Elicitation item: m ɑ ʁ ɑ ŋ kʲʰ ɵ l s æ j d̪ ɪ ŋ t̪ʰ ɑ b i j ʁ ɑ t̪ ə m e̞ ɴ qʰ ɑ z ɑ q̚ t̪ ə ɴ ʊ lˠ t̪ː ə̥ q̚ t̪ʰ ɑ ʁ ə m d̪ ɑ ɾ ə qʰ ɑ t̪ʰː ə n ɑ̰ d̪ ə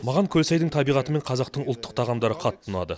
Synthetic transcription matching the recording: m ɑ ʁ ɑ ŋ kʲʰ ɵ l s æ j d̪ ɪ ŋ t̪ʰ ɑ b i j ʁ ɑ t̪ ə m e̞ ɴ qʰ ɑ z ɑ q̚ t̪ ə ɴ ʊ lˠ t̪ː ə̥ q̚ t̪ʰ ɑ ʁ ɑ m d̪ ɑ ɾ ə qʰ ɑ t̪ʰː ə n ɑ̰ d̪ ə